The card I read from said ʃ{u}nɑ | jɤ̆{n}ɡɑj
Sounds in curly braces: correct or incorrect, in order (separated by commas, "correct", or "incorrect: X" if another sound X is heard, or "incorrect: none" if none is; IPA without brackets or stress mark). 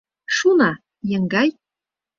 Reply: correct, incorrect: ŋ